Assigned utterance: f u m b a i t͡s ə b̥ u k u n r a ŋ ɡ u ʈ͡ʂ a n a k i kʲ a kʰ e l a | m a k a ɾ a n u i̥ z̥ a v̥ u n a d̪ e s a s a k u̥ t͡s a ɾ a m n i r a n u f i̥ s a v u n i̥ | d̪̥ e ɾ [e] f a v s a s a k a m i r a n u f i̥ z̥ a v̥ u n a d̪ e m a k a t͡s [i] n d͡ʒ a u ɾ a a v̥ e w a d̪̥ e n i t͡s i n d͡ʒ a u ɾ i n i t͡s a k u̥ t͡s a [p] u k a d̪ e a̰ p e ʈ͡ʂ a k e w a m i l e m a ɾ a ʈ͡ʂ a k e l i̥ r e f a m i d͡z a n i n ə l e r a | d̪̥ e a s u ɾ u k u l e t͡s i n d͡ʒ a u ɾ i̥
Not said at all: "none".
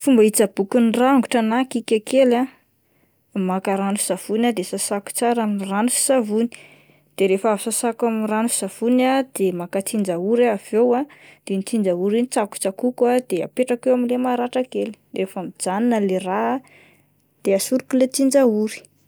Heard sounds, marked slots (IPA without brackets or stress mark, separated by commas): e, i, k